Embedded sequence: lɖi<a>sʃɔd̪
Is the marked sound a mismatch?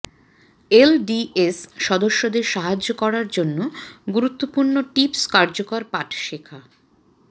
yes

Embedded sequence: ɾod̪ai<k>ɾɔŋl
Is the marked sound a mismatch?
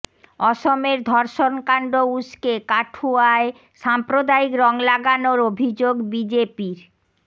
no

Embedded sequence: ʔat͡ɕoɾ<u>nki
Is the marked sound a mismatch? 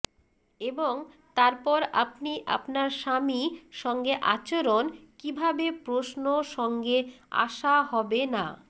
yes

